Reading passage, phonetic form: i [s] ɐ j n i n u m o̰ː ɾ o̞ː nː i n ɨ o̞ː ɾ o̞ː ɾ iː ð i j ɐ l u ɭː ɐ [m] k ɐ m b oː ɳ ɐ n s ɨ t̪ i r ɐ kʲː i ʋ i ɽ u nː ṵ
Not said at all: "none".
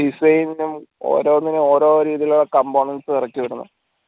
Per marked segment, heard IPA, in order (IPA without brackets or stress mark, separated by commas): s, none